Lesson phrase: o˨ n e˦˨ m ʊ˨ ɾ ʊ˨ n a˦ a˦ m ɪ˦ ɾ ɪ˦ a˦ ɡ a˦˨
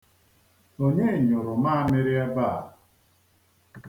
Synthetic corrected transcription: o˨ ɲ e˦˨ ɲ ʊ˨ ɾ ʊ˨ m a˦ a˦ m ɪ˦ ɾ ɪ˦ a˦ b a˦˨